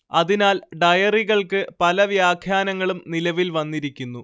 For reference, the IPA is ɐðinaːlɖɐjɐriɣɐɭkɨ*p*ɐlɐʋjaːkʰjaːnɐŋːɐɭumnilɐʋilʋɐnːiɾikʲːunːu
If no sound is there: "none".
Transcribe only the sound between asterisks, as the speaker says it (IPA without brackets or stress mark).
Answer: p